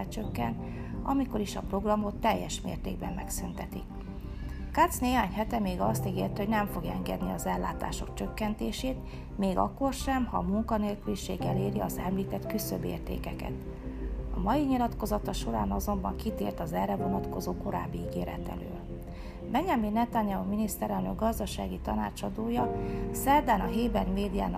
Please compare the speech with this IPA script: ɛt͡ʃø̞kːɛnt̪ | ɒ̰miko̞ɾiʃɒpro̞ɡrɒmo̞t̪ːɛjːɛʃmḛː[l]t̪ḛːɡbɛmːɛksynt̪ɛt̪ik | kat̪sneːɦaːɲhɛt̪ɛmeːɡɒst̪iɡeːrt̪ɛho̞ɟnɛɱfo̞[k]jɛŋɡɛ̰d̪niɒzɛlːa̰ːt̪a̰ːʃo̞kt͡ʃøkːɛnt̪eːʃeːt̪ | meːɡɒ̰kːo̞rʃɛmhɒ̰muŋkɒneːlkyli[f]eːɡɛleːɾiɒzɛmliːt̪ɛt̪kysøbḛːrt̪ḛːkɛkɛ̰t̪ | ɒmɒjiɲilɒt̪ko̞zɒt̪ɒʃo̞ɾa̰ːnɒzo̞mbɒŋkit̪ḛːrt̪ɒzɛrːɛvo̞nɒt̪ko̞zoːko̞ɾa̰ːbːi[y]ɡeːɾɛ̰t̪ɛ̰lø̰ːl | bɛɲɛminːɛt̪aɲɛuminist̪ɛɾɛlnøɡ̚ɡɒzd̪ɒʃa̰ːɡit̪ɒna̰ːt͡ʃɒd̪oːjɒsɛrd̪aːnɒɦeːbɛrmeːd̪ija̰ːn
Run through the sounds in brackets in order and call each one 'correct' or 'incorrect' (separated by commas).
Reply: incorrect, incorrect, incorrect, incorrect